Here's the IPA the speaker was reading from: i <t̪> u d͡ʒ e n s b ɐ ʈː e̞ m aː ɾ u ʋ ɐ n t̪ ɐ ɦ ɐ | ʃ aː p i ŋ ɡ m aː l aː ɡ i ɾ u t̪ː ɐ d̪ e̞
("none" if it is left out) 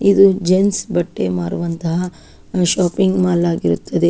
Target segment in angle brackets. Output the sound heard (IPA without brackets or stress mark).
d̪